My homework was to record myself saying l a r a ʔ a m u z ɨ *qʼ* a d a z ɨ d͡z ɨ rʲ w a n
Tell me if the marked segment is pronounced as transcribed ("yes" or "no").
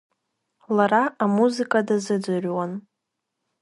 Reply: no